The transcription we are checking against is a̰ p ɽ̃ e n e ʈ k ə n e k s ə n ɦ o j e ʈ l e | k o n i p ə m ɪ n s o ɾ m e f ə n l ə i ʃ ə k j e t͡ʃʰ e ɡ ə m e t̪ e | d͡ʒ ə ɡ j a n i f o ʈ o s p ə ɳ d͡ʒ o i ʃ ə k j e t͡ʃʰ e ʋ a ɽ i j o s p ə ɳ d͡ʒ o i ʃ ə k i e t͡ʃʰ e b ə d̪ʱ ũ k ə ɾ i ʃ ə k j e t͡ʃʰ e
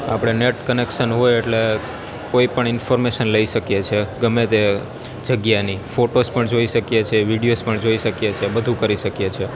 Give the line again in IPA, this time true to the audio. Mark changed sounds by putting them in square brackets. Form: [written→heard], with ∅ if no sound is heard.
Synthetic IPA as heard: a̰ p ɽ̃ e n e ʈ k ə n e k [s→ʃ] ə n ɦ o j e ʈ l e | k o [n→∅] i p ə [m→ɳ] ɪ n [s→f] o ɾ m e [f→ʃ] ə n l ə i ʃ ə k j e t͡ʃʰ e ɡ ə m e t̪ e | d͡ʒ ə ɡ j a n i f o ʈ o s p ə ɳ d͡ʒ o i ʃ ə k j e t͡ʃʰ e ʋ [a→i] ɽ i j o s p ə ɳ d͡ʒ o i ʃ ə k [i→j] e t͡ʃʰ e b ə d̪ʱ ũ k ə ɾ i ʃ ə k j e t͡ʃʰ e